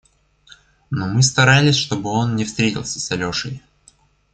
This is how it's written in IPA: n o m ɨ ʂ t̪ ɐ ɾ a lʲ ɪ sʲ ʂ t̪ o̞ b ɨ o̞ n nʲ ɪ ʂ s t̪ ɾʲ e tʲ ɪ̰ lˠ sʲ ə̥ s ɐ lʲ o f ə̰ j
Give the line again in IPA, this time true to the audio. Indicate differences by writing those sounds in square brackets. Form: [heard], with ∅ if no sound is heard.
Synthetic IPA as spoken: n o m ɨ [s] t̪ ɐ ɾ a lʲ ɪ sʲ ʂ t̪ o̞ b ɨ o̞ n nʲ ɪ [f] s t̪ ɾʲ e tʲ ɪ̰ lˠ sʲ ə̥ s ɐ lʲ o [ʂ] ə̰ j